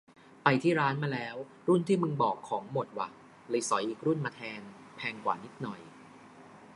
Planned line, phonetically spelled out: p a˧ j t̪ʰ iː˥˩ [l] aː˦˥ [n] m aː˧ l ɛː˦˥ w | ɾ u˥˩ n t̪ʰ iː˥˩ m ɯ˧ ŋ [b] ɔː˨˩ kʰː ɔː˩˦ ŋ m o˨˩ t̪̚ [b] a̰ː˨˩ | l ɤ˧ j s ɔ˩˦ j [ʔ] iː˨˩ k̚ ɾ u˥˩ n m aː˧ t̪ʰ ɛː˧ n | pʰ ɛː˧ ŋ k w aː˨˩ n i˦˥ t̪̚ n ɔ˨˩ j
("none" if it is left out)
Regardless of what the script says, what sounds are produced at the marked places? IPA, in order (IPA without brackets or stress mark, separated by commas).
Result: ɾ, n, b, w, ʔ